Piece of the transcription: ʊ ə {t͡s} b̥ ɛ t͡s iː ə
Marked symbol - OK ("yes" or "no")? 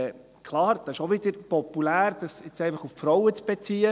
yes